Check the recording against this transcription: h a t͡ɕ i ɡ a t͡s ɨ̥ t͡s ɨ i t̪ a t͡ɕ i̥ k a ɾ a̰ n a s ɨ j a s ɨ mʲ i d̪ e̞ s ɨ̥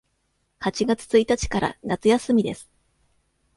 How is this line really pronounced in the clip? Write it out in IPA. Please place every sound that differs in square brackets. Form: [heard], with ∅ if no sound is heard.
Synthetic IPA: h a t͡ɕ i ɡ a t͡s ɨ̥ t͡s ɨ i t̪ a t͡ɕ i̥ k a ɾ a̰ n a [t͡s] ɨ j a s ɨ mʲ i d̪ e̞ s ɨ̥